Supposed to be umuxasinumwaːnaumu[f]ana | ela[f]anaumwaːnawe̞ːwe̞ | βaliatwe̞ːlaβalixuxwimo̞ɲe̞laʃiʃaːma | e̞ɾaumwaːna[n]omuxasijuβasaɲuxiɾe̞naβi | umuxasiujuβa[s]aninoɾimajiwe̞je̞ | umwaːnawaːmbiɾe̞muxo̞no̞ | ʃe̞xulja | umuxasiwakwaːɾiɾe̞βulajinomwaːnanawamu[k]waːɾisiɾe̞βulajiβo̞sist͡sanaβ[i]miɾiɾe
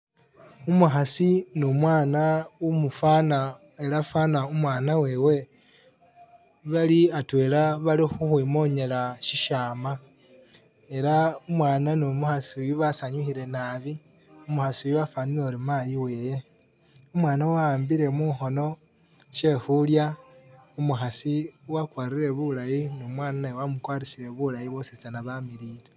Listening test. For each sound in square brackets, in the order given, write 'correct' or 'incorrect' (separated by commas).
correct, correct, correct, incorrect, correct, incorrect